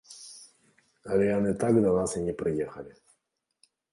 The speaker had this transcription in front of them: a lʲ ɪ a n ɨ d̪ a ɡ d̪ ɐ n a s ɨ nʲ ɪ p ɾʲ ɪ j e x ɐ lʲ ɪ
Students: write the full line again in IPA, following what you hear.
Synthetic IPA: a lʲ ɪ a n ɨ t̪ a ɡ d̪ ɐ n a s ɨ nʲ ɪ p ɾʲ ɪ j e x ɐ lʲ ɪ